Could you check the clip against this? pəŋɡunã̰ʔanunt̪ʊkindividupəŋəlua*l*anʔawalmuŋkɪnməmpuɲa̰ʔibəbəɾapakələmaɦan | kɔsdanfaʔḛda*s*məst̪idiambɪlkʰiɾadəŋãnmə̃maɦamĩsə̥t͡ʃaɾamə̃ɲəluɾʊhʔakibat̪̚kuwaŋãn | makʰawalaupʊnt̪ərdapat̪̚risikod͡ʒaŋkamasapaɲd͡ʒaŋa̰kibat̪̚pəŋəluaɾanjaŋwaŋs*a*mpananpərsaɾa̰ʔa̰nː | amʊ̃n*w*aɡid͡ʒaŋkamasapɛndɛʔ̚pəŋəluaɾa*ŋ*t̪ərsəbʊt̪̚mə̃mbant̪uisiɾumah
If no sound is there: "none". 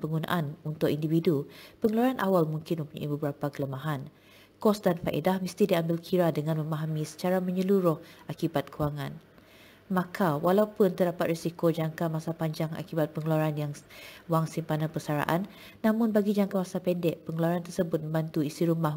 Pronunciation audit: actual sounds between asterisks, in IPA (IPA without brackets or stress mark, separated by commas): ɾ, h, i, b, n